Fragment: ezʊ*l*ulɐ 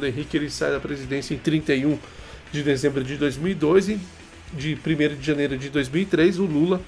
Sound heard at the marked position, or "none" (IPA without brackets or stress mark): l